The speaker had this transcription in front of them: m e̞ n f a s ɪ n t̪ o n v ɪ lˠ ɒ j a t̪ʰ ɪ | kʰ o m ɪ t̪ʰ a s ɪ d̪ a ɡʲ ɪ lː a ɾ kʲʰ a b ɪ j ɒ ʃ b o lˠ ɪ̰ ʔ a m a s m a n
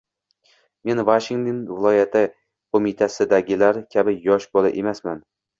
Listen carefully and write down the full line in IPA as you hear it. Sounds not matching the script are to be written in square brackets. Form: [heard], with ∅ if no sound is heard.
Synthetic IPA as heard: m e̞ n [v] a [ʃ] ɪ [ŋ] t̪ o n v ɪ lˠ ɒ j a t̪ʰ ɪ | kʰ o m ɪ t̪ʰ a s ɪ d̪ a ɡʲ ɪ [l] a ɾ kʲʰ a b ɪ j ɒ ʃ b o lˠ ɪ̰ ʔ [e] m a s m a n